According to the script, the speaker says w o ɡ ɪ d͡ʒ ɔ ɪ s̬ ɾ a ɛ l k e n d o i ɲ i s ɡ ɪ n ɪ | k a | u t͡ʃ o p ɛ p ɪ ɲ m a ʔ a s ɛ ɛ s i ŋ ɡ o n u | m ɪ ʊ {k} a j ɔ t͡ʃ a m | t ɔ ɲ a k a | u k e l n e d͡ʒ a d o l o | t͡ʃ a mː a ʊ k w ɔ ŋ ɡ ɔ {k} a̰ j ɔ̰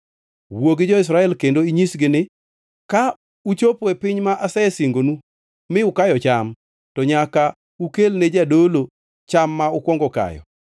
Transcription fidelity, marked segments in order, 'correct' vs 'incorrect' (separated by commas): correct, correct